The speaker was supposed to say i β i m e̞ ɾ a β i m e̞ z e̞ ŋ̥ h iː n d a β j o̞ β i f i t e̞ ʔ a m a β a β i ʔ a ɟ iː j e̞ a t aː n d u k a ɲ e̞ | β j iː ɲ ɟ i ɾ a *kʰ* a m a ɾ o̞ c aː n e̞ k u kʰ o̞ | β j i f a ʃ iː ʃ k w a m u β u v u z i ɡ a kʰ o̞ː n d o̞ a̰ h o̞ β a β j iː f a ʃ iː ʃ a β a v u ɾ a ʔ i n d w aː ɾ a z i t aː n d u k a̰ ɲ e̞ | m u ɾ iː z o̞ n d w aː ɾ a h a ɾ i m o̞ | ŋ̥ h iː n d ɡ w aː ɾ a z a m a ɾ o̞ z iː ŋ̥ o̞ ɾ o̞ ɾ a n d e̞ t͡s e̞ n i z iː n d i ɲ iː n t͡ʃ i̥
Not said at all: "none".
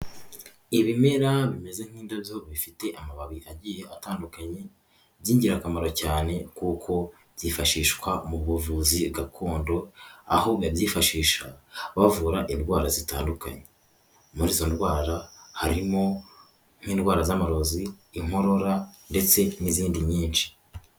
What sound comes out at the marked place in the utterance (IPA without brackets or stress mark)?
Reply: k